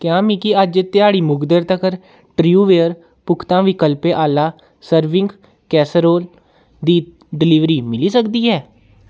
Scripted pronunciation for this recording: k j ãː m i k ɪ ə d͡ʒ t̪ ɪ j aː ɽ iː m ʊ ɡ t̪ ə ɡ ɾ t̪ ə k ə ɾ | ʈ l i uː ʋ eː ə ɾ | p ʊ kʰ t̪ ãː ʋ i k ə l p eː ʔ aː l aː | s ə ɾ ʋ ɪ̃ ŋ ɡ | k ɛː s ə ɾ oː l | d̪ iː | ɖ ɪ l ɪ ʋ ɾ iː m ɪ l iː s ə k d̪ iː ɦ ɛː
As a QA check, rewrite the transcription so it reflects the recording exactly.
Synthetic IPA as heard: k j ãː m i k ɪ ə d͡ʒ t̪ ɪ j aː ɽ iː m ʊ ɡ d̪ ə ɾ t̪ ə k ə ɾ | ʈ ɾ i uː ʋ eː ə ɾ | p ʊ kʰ t̪ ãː ʋ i k ə l p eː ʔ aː l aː | s ə ɾ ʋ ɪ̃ ŋ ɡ | k ɛː s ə ɾ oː l | d̪ iː | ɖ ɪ l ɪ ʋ ɾ iː m ɪ l iː s ə k d̪ iː ɦ ɛː